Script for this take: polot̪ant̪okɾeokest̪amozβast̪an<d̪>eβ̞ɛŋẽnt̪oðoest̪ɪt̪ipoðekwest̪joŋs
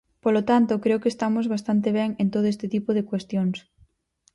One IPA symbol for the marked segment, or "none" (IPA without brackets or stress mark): t̪